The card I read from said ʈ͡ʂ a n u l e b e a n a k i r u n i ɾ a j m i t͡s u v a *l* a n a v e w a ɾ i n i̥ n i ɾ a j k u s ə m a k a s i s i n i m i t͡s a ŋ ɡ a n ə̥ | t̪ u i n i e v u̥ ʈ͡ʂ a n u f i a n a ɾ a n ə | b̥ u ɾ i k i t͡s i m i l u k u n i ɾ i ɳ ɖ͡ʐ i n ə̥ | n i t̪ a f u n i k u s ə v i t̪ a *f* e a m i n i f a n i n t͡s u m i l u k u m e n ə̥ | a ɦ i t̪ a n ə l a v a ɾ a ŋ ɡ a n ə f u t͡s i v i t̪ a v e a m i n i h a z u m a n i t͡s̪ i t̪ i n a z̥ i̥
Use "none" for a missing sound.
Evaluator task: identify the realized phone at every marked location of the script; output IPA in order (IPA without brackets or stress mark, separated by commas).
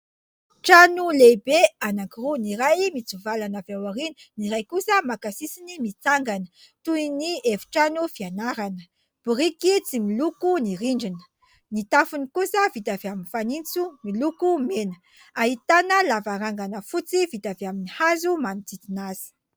l, v